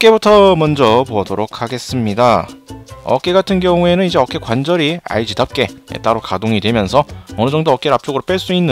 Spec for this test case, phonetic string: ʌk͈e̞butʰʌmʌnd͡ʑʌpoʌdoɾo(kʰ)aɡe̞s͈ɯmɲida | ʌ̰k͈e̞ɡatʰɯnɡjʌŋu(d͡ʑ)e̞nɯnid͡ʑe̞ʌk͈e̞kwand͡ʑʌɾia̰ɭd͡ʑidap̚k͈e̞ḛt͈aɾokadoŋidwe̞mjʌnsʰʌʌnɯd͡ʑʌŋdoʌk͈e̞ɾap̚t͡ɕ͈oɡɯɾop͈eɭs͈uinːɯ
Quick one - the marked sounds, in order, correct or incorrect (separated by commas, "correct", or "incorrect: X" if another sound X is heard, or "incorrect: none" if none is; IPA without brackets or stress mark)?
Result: correct, incorrect: none